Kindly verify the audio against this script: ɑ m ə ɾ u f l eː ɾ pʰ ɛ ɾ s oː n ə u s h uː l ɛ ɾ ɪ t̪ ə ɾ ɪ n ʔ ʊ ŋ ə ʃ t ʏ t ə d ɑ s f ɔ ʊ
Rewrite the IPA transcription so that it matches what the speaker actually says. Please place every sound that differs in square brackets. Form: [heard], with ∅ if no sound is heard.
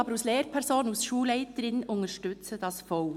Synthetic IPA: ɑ [b] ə ɾ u [s] l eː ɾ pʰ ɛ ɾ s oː n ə u s [ʃ] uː l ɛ [∅] ɪ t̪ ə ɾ ɪ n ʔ ʊ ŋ ə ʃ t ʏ [t͡s] ə d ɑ s f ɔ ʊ